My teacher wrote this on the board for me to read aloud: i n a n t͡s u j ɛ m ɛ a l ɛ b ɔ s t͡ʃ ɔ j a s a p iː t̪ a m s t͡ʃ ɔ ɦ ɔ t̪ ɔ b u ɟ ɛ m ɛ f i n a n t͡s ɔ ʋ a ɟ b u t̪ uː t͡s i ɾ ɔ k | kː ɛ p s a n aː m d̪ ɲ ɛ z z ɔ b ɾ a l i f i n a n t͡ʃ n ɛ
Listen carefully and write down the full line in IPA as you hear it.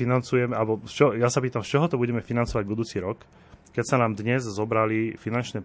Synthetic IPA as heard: i n a n t͡s u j ɛ m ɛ a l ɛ b ɔ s t͡ʃ ɔ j a s a p iː t̪ a m s t͡ʃ ɔ ɦ ɔ t̪ ɔ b u ɟ ɛ m ɛ f i n a n t͡s ɔ ʋ a ɟ b u d̪ uː t͡s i ɾ ɔ k | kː ɛ c s a n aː m d̪ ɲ ɛ z z ɔ b ɾ a l i f i n a n t͡ʃ n ɛ